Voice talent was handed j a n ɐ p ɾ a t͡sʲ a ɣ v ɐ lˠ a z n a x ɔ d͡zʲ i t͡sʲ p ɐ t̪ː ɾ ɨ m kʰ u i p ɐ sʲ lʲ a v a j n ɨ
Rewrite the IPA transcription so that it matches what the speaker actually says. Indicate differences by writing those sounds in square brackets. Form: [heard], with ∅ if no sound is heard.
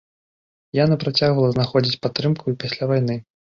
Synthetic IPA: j a n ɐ p ɾ a t͡sʲ a ɣ v ɐ lˠ [ɐ] z n a x ɔ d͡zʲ i t͡sʲ p [a] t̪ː ɾ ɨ m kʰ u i p [a] sʲ lʲ a v a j n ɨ